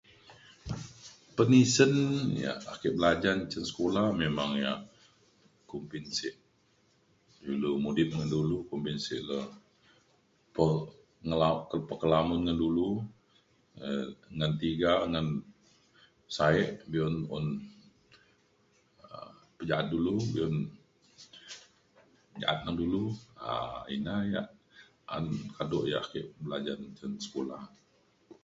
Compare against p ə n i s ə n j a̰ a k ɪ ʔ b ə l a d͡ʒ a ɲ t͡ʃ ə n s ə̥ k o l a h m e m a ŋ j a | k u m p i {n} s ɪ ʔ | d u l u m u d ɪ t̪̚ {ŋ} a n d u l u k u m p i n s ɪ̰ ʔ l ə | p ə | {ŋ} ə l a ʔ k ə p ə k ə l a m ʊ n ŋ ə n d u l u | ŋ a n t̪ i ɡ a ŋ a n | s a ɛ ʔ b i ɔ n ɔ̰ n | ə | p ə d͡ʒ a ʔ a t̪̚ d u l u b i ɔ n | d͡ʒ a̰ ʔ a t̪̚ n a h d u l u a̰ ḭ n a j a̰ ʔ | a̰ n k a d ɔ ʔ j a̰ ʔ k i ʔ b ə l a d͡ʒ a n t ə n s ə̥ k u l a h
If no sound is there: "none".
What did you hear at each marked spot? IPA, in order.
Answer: n, ŋ, ŋ

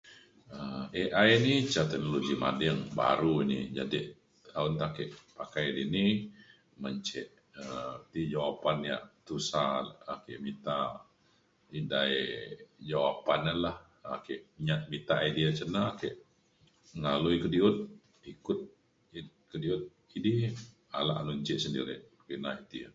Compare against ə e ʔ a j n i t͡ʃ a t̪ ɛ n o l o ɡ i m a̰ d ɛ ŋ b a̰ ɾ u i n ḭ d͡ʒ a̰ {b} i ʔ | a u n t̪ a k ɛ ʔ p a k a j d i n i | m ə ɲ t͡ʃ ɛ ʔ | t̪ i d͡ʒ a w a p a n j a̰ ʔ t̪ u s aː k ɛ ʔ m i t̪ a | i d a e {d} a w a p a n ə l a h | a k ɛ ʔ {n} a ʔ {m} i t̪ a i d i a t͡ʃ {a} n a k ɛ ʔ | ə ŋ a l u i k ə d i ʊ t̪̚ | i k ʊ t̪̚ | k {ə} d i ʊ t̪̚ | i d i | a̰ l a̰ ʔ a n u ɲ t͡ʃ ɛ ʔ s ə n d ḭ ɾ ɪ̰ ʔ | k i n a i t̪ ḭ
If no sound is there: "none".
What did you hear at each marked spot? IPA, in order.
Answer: d, d͡ʒ, ɲ, m, ə, ə

